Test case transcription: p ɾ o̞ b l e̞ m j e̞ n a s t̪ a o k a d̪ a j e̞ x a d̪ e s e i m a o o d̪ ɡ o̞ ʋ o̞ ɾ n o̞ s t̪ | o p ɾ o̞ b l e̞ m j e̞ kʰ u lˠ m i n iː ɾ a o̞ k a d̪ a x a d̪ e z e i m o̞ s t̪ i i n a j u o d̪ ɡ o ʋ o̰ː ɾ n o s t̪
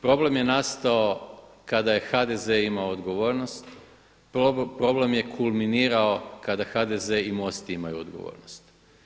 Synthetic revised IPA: p ɾ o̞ b l e̞ m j e̞ n a s t̪ a o k a d̪ a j e̞ x a d̪ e z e i m a o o d̪ ɡ o̞ ʋ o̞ ɾ n o̞ s t̪ | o p ɾ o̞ b l e̞ m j e̞ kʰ u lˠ m i n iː ɾ a o̞ k a d̪ a x a d̪ e z e i m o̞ s t̪ i i m a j u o d̪ ɡ o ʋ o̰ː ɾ n o s t̪